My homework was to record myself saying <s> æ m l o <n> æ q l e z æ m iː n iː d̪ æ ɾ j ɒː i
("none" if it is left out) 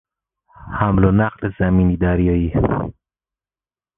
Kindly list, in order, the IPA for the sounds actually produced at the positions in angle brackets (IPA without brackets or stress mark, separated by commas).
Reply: h, n